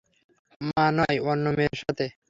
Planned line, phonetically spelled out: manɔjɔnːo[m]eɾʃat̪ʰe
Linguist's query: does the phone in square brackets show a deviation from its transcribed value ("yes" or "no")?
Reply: no